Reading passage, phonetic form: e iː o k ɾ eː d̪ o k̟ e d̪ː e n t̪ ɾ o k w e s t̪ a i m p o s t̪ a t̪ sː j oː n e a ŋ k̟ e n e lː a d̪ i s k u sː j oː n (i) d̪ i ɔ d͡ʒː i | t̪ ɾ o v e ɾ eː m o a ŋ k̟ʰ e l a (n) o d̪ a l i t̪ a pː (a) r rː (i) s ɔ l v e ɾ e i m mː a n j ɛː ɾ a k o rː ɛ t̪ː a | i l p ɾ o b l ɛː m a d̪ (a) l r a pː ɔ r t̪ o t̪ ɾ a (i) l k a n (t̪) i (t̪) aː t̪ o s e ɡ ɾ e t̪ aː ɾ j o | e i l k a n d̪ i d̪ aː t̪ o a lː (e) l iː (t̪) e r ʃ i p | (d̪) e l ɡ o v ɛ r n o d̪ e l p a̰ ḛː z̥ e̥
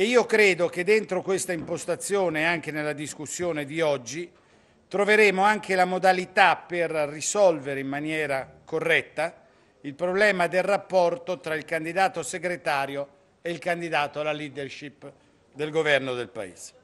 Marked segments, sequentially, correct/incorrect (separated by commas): incorrect, incorrect, incorrect, correct, incorrect, correct, incorrect, incorrect, incorrect, incorrect, correct